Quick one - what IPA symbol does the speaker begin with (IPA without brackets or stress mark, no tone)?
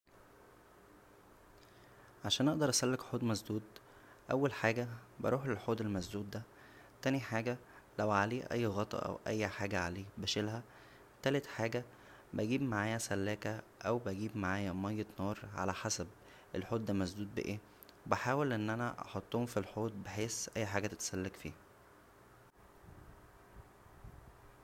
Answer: ʕ